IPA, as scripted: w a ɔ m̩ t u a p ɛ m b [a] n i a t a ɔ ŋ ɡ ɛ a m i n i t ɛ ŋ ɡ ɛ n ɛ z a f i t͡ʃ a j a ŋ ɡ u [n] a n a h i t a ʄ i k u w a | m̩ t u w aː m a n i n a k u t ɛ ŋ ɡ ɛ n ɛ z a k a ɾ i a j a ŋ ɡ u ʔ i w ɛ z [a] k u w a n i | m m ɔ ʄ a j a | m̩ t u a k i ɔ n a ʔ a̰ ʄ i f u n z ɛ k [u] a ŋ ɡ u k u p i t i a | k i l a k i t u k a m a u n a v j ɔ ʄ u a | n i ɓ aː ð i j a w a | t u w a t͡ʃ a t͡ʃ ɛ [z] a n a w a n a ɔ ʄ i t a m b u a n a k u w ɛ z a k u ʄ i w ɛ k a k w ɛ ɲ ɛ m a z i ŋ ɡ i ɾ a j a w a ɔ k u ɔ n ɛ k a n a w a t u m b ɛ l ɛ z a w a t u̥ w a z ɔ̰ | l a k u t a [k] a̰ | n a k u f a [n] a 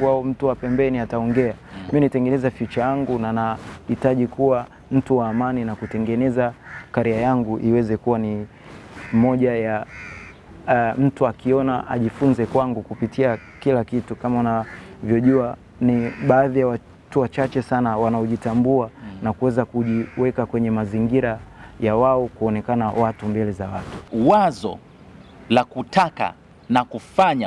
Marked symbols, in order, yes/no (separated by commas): no, yes, no, no, no, yes, no